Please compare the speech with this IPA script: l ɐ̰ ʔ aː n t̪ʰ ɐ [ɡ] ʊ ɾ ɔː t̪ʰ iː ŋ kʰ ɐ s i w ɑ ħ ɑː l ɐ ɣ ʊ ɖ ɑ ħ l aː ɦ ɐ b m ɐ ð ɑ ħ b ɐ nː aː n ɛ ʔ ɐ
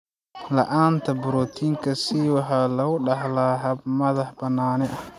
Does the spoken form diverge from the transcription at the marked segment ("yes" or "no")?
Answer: yes